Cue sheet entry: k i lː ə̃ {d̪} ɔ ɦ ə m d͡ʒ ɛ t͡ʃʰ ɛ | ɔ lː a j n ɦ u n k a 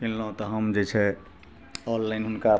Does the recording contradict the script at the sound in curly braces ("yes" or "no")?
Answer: yes